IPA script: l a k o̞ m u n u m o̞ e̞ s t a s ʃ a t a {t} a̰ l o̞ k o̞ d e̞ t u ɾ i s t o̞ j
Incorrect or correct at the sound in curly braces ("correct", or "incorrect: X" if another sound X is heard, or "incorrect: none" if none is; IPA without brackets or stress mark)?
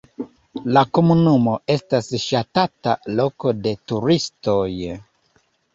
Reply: correct